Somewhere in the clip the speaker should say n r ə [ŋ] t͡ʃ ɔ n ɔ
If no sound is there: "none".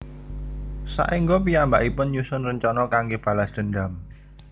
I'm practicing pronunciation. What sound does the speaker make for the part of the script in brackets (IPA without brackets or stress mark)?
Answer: ɲ